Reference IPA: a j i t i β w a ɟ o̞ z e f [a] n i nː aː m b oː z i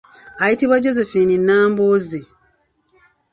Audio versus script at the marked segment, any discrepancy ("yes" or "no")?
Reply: yes